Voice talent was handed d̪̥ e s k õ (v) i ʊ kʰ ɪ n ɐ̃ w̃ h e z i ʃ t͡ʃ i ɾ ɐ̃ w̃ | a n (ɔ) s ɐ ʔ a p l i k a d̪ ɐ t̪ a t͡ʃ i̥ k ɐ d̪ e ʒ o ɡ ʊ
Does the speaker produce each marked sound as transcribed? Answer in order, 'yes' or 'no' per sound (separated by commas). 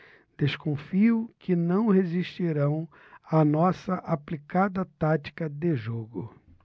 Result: no, yes